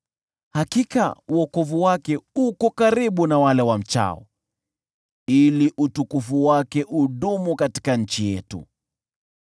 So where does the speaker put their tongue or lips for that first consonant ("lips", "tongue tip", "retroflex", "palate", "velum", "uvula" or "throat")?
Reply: throat